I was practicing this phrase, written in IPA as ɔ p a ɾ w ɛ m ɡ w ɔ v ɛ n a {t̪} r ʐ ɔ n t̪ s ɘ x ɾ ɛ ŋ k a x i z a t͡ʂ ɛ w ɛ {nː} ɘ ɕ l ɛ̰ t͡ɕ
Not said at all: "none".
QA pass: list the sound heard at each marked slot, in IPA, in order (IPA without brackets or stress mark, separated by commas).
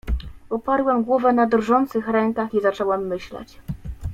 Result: d̪, mː